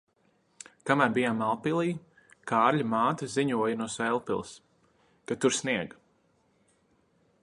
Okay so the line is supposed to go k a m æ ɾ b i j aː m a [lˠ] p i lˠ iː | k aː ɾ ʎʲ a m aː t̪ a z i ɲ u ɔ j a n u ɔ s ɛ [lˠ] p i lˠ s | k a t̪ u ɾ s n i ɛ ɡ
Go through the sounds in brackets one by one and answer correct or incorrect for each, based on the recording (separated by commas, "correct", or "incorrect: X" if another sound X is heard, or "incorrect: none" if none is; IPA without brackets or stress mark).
correct, correct